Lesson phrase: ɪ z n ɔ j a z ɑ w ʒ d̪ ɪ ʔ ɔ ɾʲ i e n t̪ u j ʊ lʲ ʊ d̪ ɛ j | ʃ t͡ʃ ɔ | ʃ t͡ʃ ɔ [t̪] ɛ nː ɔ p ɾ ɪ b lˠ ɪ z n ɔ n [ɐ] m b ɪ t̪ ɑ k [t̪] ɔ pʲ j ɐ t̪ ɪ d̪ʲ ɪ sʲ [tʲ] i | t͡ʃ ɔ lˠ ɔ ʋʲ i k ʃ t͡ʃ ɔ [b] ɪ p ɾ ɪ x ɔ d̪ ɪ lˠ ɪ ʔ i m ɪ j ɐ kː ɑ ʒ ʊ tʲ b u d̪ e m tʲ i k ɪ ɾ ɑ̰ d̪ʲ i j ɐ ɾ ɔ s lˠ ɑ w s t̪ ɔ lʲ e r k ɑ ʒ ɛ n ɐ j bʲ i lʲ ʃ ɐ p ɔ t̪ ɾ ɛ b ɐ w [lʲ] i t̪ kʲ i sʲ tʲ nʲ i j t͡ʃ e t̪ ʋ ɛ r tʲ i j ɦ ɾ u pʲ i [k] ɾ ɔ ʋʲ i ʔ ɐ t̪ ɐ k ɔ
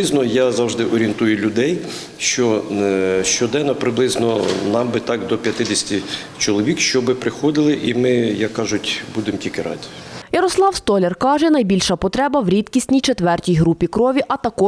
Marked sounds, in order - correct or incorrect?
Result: incorrect: d̪, incorrect: ɑ, incorrect: d̪, correct, correct, incorrect: ɾʲ, correct

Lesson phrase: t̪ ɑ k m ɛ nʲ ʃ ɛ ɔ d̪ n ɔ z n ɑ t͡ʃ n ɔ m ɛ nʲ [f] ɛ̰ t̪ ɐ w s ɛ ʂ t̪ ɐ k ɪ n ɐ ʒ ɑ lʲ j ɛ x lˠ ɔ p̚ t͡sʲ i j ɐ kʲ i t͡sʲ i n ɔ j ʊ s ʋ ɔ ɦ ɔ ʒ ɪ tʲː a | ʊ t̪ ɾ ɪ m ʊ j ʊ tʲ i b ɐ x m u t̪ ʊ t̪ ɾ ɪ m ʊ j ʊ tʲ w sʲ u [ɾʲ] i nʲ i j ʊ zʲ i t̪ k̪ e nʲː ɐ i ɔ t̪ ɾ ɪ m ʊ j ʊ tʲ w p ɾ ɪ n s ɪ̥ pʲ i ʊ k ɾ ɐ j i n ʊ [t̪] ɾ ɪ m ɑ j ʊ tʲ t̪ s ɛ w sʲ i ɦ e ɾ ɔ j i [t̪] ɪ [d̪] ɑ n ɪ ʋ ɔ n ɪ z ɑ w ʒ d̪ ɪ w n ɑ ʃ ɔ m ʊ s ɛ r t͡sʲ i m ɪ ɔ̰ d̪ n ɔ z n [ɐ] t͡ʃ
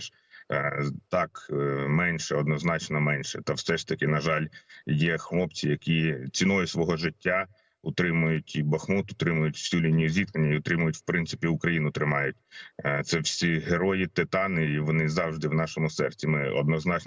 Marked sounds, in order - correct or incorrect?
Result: incorrect: ʃ, incorrect: lʲ, correct, correct, incorrect: t̪, incorrect: ɑ

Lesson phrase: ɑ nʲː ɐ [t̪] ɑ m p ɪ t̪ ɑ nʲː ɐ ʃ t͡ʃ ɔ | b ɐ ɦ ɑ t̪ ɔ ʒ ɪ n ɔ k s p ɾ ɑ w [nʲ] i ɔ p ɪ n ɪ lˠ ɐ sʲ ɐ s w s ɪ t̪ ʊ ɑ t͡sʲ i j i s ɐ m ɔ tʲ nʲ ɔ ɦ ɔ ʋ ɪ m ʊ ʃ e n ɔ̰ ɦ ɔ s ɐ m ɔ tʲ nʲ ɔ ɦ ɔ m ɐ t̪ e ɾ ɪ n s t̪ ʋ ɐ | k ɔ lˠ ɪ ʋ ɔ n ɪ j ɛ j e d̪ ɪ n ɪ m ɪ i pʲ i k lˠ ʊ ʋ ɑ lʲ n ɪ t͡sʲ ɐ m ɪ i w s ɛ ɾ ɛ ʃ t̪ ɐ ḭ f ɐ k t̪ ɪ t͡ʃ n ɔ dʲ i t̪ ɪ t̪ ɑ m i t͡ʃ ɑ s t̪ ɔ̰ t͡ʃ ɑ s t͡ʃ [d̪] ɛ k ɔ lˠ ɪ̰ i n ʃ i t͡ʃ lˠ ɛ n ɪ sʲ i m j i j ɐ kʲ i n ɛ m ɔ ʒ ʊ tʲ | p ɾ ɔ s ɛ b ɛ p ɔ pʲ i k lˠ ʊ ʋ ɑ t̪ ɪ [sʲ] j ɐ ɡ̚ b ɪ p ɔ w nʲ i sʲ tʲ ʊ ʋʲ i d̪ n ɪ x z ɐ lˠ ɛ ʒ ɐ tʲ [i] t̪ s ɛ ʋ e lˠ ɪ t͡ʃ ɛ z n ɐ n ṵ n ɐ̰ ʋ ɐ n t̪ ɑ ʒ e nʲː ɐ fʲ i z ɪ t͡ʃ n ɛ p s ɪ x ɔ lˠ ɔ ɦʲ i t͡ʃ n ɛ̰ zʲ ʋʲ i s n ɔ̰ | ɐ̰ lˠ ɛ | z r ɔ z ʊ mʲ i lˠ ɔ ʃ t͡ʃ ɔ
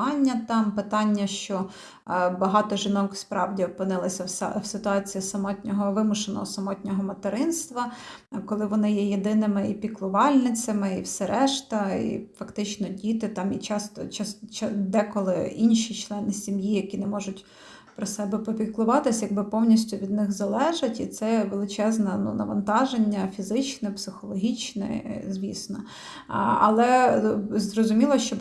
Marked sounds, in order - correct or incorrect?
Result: correct, incorrect: dʲ, correct, correct, correct

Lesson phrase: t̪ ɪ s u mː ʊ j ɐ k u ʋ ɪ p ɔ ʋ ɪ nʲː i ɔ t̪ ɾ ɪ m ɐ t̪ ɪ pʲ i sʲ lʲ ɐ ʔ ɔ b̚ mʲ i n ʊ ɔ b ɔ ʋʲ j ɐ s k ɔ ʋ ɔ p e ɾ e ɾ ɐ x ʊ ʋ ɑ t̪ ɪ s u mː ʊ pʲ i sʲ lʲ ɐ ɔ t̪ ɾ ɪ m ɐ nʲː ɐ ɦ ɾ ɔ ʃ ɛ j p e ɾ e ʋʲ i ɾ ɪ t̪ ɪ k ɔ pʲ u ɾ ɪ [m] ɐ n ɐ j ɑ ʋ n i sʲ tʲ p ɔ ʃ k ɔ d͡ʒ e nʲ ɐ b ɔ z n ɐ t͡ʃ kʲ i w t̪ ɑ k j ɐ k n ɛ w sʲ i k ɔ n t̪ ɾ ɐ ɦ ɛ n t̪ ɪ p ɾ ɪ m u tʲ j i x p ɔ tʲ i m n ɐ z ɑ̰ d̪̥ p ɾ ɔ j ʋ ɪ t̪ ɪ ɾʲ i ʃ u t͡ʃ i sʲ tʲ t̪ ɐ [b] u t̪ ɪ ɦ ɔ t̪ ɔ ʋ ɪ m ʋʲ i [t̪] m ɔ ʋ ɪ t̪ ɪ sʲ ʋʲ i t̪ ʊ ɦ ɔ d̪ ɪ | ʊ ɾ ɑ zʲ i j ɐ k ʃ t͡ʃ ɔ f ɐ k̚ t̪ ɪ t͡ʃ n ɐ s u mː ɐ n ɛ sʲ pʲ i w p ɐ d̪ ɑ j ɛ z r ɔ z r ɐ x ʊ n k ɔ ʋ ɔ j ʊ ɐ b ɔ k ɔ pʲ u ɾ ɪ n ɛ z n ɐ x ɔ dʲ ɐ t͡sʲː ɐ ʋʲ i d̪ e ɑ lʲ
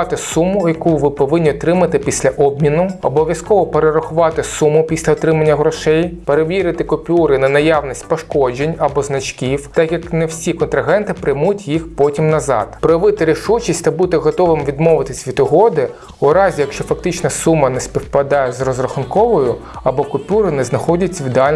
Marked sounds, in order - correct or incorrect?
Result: incorrect: n, correct, incorrect: d̪

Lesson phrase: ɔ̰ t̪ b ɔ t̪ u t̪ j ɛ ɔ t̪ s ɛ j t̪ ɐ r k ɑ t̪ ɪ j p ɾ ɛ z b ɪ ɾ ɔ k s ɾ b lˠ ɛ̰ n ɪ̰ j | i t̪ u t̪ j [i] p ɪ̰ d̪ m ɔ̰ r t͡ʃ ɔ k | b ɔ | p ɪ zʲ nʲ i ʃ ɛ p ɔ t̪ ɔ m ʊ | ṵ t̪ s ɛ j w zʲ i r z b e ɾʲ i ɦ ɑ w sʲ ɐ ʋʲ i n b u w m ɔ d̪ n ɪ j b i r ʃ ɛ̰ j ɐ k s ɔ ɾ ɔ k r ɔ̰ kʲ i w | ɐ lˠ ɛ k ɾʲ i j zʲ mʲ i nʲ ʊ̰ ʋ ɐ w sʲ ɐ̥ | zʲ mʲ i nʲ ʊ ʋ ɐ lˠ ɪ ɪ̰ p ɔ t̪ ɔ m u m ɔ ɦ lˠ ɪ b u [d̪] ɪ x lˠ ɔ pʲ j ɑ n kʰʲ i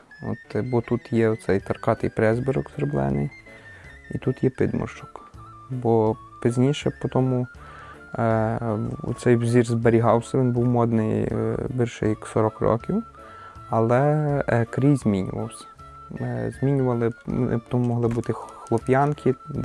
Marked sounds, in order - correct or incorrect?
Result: incorrect: ɛ, incorrect: t̪

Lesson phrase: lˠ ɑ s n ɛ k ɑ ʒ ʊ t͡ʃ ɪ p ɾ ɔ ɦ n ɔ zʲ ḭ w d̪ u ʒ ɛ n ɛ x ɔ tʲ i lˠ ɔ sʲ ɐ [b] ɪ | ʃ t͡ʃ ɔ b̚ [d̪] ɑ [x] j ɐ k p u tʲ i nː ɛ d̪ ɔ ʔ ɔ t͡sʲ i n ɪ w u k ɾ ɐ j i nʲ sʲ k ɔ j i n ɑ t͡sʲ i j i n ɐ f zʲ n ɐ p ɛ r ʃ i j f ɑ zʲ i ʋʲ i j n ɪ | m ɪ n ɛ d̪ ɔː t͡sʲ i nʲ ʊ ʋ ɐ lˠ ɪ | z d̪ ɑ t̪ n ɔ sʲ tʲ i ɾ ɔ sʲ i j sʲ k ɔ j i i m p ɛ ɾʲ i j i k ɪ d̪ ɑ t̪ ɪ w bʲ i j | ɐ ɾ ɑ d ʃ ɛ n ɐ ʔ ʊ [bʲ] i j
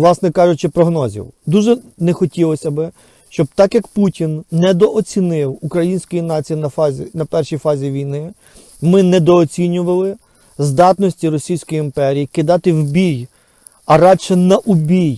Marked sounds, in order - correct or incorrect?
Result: correct, incorrect: t̪, incorrect: k, correct

